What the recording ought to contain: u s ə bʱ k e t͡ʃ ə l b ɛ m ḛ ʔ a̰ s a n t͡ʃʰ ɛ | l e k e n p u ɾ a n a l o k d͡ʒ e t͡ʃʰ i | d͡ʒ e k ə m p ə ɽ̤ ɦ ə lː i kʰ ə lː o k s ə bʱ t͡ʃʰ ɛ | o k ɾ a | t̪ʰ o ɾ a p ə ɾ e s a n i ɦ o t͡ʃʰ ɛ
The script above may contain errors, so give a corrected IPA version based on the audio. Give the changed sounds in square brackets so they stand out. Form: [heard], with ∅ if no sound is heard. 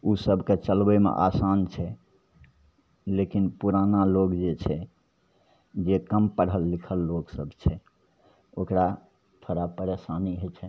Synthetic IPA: u s ə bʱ k e t͡ʃ ə l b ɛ m ḛ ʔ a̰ s a n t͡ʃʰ ɛ | l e k [i] n p u ɾ a n a l o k d͡ʒ e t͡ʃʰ [ɛ] | d͡ʒ e k ə m p ə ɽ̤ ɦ ə lː i kʰ ə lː o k s ə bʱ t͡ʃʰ ɛ | o k ɾ a | t̪ʰ o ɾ a p ə ɾ e s a n i ɦ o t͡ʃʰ ɛ